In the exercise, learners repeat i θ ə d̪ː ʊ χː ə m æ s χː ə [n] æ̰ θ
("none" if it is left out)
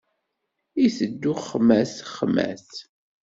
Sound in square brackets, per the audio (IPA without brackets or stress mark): m